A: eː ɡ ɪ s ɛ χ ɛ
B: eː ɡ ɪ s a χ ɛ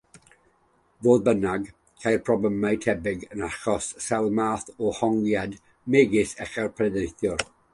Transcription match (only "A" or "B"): A